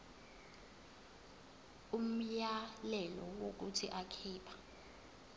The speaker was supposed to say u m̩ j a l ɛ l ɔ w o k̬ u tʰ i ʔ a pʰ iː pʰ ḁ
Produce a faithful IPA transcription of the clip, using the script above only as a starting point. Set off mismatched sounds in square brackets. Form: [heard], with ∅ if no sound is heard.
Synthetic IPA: u m̩ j a l ɛ l ɔ w o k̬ u tʰ i ʔ a [kʰ] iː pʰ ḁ